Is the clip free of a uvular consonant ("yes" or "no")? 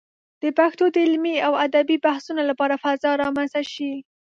yes